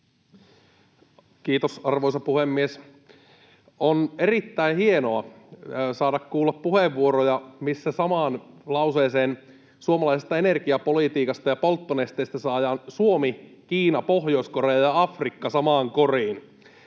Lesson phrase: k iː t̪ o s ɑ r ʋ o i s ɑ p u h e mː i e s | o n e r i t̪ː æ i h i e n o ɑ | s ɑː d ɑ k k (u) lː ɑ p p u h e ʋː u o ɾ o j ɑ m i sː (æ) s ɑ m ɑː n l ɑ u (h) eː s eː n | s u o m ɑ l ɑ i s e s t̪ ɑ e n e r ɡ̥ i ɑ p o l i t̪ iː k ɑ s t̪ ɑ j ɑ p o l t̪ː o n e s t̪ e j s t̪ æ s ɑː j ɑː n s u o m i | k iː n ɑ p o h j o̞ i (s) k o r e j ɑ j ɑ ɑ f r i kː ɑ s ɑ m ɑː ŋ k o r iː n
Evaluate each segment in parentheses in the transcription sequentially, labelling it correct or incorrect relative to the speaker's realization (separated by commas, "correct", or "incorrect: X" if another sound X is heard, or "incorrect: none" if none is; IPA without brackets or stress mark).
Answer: incorrect: uː, correct, incorrect: s, correct